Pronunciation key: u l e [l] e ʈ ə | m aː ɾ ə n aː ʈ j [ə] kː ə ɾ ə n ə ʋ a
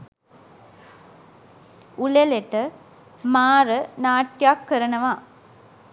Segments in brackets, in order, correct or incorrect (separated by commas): correct, incorrect